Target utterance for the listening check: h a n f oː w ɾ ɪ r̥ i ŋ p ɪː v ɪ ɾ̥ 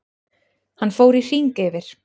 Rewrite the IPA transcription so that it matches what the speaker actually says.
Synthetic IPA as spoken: h a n f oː w ɾ i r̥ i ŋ k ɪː v ɪ ɾ̥

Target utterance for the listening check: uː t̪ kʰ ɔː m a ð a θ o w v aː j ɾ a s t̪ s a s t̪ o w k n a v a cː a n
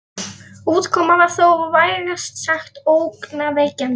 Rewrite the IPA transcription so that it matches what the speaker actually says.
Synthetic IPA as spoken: uː t̪ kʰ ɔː m a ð a θ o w v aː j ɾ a s t̪ s a x t̪ o w k n a v ɛ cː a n

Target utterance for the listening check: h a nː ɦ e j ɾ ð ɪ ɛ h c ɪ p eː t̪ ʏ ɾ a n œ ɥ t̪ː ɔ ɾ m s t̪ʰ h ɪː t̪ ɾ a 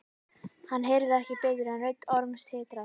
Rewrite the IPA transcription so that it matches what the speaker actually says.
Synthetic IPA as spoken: h a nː ɦ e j ɾ ð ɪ ɛ h c ɪ p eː t̪ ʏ ɾ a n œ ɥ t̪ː ɔ ɾ m s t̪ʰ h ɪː t̪ ɾ a

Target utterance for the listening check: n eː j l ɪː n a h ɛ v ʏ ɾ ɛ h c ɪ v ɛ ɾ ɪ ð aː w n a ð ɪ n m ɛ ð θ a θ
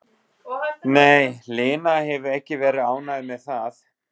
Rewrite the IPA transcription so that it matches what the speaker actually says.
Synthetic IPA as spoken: n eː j l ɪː n a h ɛ v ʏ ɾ ɛ h c ɪ v ɛː ɾ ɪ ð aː w n a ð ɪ m ɛ ð θ a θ

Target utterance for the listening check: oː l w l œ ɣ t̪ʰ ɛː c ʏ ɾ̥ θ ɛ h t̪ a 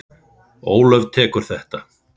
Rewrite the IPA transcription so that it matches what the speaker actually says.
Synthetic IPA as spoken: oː w l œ v t̪ʰ ɛː k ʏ ɾ̥ θ ɛ h t̪ a

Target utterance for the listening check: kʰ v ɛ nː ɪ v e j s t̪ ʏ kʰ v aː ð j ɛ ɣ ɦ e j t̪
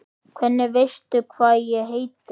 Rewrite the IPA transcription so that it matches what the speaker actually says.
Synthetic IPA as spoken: kʰ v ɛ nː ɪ v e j s t̪ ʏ kʰ v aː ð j ɛ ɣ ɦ e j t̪

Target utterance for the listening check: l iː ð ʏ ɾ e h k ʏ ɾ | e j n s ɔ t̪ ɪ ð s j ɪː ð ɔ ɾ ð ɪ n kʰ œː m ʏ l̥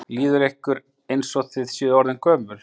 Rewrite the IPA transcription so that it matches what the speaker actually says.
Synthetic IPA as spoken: l iː ð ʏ ɾ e h k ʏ ɾ | e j n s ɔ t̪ ɪ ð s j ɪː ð ɔ ɾ ð ɪ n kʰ œː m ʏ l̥

